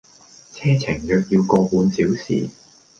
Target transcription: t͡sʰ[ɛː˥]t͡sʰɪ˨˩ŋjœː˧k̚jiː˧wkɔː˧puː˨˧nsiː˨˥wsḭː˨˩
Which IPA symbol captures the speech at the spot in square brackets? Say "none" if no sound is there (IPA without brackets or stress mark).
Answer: ɛː˥